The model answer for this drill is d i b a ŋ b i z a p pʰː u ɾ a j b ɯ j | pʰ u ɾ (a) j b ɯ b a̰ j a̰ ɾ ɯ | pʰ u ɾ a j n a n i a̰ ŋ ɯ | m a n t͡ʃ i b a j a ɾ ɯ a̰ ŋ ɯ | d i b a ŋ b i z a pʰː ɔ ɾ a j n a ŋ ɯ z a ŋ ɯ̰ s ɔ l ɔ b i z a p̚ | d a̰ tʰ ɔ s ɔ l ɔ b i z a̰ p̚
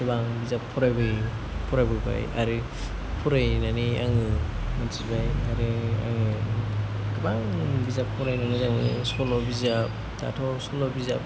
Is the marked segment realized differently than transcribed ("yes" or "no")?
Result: no